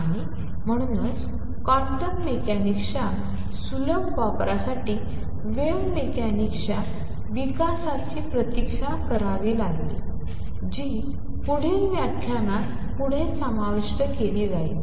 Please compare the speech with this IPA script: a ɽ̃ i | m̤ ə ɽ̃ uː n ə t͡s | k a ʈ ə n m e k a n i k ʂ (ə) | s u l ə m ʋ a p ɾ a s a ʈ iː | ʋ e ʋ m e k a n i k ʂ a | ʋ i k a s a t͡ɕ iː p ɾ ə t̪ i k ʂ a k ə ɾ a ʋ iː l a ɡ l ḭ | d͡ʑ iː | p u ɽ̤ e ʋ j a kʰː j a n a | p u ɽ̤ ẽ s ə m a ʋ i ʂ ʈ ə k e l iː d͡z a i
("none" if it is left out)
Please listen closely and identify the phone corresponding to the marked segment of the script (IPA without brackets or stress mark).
a